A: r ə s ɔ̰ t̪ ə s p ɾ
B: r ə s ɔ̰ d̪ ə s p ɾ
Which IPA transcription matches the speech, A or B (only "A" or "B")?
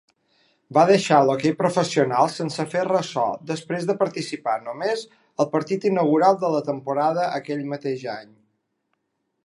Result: B